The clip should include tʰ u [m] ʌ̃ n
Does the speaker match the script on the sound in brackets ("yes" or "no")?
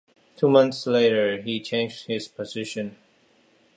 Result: yes